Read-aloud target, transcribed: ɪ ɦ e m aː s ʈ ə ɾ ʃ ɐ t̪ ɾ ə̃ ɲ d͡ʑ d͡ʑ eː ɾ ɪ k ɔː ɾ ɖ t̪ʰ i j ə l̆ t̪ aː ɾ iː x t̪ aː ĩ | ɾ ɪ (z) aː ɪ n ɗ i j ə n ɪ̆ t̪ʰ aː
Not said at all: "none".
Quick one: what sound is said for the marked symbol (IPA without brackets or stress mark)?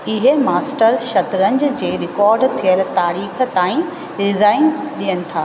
z